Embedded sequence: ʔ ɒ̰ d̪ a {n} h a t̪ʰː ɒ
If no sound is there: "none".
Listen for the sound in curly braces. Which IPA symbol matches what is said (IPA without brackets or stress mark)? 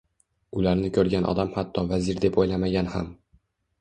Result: m